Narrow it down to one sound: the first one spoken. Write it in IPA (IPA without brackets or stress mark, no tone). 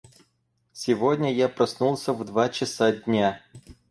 sʲ